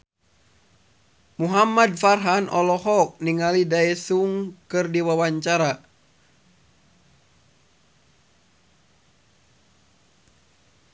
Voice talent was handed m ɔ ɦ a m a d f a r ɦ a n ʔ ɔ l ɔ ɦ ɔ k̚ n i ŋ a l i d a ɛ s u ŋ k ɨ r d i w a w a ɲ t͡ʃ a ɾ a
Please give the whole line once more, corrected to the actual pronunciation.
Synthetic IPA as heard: m u ɦ a m a d f a r ɦ a n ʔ ɔ l ɔ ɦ ɔ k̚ n i ŋ a l i d a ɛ s u ŋ k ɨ r d i w a w a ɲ t͡ʃ a ɾ a